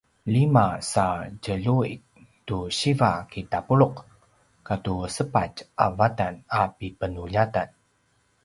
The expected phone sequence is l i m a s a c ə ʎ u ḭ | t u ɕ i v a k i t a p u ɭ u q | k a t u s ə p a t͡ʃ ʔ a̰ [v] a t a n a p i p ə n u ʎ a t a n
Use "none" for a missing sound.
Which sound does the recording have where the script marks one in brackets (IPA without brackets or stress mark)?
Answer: v